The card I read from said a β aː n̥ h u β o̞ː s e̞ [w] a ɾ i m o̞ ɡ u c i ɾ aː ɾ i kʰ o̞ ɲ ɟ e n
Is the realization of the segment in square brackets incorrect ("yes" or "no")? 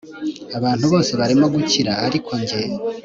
yes